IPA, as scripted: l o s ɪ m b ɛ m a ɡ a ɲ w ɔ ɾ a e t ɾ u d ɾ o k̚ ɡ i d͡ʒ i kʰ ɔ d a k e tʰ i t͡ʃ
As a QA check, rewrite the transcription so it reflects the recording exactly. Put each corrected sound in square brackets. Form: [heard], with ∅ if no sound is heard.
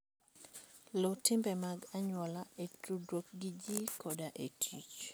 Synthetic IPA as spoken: l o [t] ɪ m b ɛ m a ɡ a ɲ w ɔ [l] a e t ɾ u d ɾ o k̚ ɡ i d͡ʒ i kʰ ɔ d a [ʔ] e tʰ i t͡ʃ

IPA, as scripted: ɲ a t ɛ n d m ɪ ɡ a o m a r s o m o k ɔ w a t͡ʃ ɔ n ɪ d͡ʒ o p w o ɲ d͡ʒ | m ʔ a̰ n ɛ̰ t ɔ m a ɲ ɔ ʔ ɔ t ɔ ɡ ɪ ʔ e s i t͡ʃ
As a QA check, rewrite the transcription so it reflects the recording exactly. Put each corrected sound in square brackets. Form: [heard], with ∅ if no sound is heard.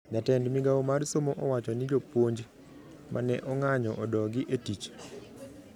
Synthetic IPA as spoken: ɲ a t ɛ n d m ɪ ɡ a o m a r s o m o [ʔ] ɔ w a t͡ʃ ɔ n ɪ d͡ʒ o p w o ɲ d͡ʒ | m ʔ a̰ n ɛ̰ [ʔ] ɔ [ŋ] a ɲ ɔ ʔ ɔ [d] ɔ ɡ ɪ ʔ e [t] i t͡ʃ

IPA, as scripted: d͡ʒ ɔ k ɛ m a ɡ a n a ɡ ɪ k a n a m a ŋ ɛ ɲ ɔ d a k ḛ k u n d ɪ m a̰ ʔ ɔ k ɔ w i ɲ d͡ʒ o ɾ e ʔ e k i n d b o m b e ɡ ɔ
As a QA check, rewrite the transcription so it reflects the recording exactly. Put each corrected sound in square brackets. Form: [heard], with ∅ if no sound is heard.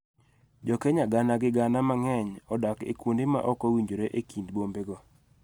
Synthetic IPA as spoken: d͡ʒ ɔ k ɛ [ɲ] a ɡ a n a ɡ ɪ [ɡ] a n a m a ŋ ɛ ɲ ɔ d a k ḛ k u n d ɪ m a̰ ʔ ɔ k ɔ w i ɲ d͡ʒ o ɾ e ʔ e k i n d b o m b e ɡ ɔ

